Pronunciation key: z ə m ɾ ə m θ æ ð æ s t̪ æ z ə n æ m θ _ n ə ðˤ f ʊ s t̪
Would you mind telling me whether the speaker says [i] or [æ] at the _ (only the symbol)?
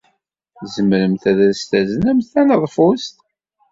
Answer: æ